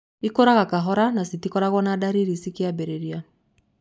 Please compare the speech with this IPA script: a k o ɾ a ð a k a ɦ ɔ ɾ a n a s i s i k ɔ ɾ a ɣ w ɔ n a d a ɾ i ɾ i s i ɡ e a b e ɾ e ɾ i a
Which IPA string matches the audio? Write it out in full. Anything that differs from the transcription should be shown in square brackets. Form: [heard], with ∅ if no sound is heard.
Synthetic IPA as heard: [i] k o ɾ a [ɣ] a k a ɦ ɔ ɾ a n a s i [t] i k ɔ ɾ a ɣ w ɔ n a d a ɾ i ɾ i s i [k] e a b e ɾ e ɾ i a

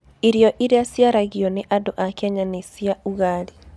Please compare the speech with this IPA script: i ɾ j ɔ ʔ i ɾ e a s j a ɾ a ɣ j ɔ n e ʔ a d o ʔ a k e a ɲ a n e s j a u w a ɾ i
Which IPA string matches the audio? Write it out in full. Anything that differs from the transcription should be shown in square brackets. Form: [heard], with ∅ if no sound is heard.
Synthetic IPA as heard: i ɾ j ɔ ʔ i ɾ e a s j a ɾ a ɣ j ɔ n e ʔ a d o ʔ a k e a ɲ a n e s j a u [ɣ] a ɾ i

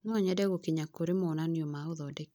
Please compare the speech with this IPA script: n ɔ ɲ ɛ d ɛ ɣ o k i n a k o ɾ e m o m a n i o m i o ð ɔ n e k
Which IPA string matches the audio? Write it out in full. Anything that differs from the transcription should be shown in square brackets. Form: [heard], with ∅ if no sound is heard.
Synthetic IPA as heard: n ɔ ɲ ɛ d ɛ ɣ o k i [ɲ] a k o ɾ e m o [n] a n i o m [a] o ð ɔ [d] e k

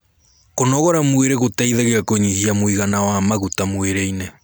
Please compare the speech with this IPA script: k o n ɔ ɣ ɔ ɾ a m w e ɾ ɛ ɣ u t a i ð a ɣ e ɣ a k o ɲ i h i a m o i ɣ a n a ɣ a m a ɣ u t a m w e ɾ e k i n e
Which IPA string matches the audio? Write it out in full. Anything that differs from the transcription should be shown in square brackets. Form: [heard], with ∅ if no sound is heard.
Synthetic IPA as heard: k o n ɔ ɣ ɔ ɾ a m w e ɾ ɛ ɣ [o] t a i ð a ɣ e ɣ a k o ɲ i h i a m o i ɣ a n a [w] a m a ɣ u t a m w e ɾ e [∅] i n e

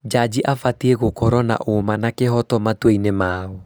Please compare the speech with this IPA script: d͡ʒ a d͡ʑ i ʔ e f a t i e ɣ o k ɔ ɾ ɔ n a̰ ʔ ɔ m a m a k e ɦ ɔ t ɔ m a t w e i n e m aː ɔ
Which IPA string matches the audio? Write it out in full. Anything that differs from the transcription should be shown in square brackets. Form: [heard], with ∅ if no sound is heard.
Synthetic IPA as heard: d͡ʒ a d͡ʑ i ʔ [a] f a t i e ɣ o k ɔ ɾ ɔ n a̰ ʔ [o] m a [n] a k e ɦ ɔ t ɔ m a t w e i n e m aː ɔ

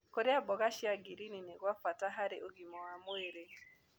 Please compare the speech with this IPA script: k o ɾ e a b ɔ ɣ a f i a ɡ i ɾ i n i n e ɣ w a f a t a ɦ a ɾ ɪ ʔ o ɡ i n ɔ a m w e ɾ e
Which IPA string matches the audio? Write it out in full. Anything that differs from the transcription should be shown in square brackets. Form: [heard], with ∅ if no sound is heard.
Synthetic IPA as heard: k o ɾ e a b ɔ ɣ a [ʃ] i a ɡ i ɾ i n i n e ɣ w a f a t a ɦ a ɾ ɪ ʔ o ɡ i [m] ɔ a m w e ɾ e

